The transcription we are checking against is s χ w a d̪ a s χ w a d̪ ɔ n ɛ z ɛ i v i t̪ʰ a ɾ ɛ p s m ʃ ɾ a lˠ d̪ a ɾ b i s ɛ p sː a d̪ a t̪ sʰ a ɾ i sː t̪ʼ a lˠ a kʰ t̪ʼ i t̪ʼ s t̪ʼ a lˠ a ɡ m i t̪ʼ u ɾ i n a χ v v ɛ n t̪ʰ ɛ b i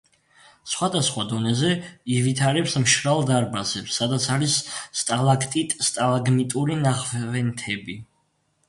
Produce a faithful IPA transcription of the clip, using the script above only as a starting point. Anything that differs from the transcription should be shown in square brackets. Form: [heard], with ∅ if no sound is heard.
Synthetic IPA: s χ w a d̪ a s χ w a d̪ ɔ n ɛ z ɛ i v i t̪ʰ a ɾ ɛ p s m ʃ ɾ a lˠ d̪ a ɾ b [a] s ɛ p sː a d̪ a t̪ sʰ a ɾ i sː t̪ʼ a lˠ a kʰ t̪ʼ i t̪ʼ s t̪ʼ a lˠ a ɡ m i t̪ʼ u ɾ i n a χ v v ɛ n t̪ʰ ɛ b i